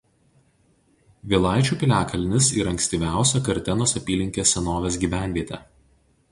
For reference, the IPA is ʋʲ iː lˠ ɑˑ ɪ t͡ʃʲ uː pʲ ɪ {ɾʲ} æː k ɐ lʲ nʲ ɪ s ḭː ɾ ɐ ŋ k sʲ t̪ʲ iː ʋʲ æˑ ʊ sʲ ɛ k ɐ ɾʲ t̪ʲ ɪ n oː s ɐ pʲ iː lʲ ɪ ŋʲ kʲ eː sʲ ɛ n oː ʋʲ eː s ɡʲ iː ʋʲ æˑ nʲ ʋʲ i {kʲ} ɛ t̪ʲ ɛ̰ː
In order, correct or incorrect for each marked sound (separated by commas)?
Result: incorrect, incorrect